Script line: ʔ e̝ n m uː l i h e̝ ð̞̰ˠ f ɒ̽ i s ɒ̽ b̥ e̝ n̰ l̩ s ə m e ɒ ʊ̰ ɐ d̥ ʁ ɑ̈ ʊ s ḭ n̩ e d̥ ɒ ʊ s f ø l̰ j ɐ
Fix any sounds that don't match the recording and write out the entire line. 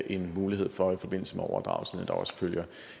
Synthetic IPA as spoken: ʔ e̝ n m uː l i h e̝ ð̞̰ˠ f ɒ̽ i f ɒ̽ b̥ e̝ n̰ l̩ s ə m e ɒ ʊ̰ ɐ d̥ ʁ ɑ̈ ʊ s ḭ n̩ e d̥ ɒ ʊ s f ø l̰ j ɐ